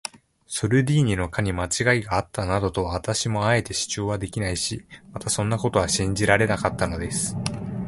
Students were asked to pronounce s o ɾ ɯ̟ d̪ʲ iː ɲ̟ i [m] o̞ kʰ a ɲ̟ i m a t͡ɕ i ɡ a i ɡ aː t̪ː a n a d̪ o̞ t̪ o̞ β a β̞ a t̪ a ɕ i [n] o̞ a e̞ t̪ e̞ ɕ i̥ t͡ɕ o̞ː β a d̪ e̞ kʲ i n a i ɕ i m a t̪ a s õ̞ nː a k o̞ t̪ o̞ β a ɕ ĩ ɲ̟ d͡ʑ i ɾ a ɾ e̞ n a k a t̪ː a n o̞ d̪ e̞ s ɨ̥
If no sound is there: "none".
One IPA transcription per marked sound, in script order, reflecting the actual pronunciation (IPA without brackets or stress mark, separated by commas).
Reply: n, m